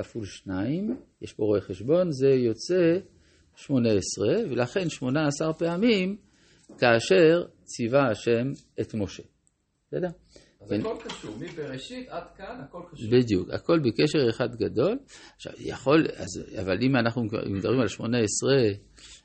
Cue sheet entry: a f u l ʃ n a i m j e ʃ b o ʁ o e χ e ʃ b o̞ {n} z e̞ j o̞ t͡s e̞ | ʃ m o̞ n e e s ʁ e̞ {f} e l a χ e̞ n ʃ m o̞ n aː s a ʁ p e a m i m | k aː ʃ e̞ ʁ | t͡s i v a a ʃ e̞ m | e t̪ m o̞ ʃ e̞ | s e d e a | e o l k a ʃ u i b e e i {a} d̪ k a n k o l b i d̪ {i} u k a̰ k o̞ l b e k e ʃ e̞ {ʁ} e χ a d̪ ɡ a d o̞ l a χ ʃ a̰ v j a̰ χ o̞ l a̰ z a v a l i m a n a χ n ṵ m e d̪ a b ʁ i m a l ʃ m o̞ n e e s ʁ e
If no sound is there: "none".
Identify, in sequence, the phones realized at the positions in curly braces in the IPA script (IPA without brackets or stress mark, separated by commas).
n, v, a, j, ʁ